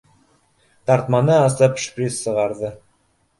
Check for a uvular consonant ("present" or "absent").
present